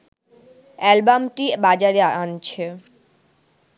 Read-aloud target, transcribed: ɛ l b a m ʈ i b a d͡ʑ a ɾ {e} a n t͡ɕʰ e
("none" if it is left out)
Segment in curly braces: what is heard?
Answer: e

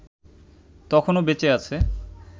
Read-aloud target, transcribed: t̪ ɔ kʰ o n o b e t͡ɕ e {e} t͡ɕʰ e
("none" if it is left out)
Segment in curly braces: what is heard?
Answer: a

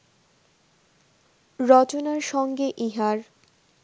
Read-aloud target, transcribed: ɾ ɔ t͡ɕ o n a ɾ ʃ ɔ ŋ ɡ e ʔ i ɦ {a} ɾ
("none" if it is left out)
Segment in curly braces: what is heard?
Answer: a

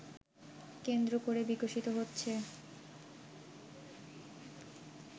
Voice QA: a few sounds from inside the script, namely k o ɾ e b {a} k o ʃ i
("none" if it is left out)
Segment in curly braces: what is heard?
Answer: i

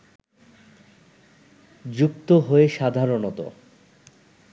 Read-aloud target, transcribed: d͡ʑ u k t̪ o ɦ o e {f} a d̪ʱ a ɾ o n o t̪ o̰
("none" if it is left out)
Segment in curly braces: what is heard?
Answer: ʃ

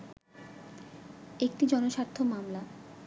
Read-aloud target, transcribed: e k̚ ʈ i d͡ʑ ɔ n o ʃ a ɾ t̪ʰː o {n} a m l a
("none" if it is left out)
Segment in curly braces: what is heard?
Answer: m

